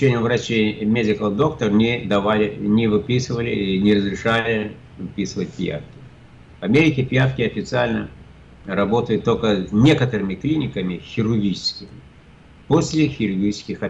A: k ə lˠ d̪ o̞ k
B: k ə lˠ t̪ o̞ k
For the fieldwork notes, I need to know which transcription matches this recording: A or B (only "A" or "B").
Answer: A